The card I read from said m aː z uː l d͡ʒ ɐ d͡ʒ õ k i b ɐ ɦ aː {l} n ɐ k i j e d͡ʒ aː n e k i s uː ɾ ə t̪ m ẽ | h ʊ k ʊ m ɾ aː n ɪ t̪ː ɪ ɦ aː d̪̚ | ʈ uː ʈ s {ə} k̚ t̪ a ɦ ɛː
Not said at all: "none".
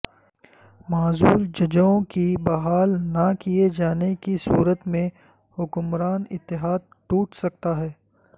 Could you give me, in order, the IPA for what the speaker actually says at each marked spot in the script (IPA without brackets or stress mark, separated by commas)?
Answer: l, ɐ